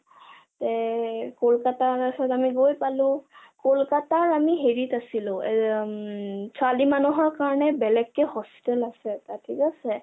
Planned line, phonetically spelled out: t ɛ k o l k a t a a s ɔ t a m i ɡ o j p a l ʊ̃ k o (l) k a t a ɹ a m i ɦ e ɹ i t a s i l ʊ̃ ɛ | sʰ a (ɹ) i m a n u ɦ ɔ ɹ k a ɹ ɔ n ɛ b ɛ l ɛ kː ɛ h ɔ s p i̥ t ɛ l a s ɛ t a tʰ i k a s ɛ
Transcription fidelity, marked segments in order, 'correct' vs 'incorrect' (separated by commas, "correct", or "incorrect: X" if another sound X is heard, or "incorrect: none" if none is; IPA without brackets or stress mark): correct, incorrect: l